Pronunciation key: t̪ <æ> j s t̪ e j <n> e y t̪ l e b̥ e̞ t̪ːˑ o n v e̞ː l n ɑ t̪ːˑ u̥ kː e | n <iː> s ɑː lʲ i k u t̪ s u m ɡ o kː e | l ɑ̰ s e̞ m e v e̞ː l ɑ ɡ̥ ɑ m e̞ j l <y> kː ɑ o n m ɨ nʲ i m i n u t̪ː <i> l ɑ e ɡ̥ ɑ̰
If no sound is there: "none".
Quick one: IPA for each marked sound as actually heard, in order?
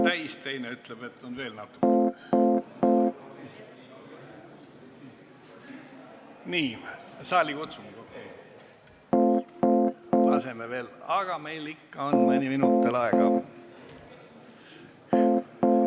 æ, n, iː, i, e

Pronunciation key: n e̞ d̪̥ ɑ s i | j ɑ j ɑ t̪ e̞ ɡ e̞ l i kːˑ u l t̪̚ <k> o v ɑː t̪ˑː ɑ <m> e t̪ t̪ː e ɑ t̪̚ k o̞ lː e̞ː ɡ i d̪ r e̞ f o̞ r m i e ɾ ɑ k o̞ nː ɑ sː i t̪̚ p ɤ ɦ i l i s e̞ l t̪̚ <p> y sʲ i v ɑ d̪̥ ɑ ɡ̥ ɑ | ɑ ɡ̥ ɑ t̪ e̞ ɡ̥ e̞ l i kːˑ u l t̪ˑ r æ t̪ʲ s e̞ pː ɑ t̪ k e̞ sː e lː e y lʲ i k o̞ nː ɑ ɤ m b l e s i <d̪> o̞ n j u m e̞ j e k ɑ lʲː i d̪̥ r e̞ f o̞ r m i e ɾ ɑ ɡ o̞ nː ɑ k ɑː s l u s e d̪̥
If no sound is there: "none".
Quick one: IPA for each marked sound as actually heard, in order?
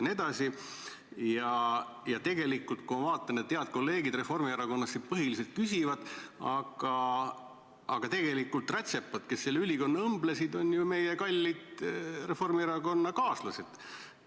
k, n, k, d̪

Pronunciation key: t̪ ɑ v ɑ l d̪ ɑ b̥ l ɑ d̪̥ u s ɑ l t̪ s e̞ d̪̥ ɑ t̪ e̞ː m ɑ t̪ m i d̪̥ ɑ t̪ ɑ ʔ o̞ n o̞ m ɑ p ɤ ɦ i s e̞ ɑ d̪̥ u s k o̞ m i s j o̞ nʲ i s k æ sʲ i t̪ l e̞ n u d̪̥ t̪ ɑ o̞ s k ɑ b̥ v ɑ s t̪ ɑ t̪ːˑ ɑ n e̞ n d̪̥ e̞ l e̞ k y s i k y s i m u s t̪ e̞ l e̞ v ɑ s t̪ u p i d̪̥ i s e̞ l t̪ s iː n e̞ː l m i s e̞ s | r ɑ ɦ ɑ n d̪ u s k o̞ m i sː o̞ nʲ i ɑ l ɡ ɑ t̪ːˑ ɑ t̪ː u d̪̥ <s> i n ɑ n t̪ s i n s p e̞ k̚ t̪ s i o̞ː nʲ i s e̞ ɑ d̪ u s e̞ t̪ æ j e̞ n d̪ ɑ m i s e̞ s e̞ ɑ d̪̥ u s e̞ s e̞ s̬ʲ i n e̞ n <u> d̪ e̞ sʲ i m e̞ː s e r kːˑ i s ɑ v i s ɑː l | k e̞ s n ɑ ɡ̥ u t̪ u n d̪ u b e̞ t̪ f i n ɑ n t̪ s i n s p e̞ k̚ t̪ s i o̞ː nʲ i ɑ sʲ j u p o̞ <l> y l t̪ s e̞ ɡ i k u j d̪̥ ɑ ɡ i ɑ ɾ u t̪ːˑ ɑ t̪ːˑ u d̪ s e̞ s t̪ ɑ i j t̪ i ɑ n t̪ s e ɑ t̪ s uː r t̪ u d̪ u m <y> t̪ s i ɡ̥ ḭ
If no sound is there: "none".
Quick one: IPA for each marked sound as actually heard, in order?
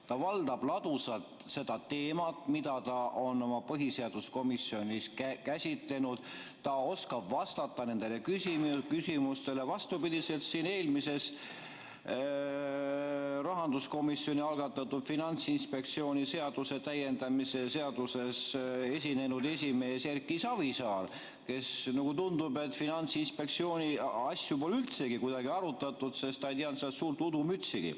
f, u, l, y

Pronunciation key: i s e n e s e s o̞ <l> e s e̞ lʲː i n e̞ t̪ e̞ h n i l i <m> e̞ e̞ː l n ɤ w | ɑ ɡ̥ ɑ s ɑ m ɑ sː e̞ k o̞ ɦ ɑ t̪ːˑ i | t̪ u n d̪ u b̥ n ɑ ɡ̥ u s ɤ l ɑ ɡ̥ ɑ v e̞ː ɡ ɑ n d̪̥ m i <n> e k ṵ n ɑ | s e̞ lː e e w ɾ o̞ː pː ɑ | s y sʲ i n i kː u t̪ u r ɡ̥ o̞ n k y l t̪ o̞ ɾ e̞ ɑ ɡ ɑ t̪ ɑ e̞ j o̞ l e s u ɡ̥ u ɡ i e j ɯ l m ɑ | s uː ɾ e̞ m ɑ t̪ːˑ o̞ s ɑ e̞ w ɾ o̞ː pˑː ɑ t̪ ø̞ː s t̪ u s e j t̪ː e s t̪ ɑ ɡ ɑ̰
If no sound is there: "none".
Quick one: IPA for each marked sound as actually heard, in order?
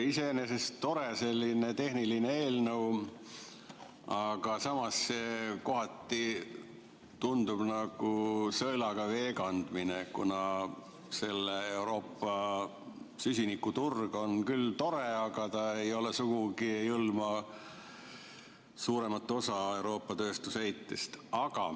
ɾ, n, n

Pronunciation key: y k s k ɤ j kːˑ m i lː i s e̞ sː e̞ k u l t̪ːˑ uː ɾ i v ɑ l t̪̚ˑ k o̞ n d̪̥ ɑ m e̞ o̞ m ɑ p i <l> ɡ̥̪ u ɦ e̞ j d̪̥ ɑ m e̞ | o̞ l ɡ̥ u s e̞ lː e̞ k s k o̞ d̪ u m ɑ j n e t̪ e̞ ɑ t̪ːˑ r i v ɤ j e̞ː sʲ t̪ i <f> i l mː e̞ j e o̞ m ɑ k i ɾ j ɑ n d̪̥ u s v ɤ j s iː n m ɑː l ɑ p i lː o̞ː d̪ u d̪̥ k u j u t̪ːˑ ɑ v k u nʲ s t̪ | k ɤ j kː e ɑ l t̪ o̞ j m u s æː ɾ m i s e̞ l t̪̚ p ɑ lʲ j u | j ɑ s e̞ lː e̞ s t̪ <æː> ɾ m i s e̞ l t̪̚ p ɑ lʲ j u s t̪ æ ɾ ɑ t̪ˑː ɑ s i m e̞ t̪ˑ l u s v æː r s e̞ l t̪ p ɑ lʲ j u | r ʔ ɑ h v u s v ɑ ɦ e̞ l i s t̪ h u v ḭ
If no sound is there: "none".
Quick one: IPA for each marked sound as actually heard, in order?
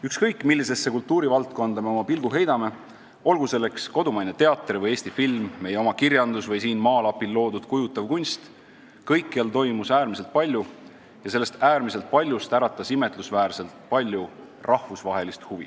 l, f, æː

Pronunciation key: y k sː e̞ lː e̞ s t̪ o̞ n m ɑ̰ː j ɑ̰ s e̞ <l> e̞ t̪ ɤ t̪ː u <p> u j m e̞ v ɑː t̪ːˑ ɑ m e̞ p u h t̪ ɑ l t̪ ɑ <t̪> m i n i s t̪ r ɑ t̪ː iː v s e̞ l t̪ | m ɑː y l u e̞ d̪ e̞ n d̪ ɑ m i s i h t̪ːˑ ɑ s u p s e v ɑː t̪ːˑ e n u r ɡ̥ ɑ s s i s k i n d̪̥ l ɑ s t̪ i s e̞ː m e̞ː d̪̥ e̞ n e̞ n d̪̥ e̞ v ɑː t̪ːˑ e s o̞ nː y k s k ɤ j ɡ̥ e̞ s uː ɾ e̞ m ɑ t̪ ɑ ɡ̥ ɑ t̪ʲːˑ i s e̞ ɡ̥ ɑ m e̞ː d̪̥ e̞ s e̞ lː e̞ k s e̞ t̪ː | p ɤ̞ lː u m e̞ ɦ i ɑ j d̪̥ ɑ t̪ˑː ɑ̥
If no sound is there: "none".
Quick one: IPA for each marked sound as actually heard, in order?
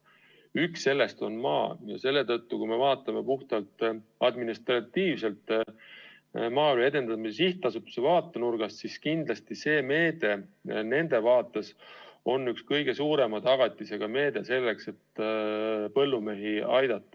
lː, k, d̪

